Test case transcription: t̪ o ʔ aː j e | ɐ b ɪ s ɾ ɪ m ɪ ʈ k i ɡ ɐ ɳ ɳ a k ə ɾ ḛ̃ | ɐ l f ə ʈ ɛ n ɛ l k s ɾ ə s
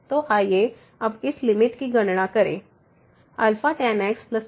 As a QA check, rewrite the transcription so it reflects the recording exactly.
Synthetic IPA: t̪ o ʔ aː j e | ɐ b ɪ s l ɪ m ɪ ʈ k i ɡ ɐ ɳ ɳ a k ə ɾ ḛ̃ | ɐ l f a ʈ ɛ n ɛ k s l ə s